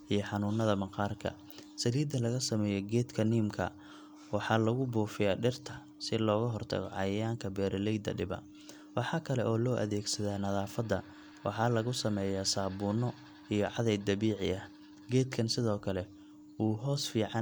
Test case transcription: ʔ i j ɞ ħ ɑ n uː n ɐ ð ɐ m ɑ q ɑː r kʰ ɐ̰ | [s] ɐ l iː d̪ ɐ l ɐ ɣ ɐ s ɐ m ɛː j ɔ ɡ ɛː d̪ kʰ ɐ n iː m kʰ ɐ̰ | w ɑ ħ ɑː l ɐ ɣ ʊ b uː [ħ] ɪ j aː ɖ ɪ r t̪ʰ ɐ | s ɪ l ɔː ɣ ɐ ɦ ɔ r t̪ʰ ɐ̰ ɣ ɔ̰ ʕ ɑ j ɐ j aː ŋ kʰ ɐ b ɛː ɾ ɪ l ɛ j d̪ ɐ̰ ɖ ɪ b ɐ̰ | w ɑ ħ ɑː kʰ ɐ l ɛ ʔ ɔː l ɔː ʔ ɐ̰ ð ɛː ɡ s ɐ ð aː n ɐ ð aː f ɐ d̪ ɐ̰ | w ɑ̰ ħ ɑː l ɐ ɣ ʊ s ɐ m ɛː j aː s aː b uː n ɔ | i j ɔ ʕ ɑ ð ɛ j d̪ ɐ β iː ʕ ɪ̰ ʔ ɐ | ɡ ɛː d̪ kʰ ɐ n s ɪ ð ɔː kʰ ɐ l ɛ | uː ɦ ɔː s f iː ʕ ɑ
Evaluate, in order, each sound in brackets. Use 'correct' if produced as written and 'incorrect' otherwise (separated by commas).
correct, incorrect